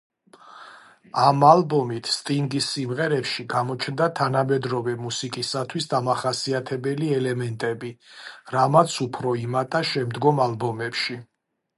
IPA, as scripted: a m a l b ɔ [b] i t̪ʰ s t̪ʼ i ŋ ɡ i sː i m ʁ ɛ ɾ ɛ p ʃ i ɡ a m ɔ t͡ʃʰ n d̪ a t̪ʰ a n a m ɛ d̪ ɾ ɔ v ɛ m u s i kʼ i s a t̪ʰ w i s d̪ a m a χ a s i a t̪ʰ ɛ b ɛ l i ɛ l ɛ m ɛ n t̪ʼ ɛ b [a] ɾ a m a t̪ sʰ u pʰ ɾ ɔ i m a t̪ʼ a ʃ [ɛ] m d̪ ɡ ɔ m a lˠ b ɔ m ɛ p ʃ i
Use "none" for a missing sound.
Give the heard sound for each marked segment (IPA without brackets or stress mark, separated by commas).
m, i, ɛ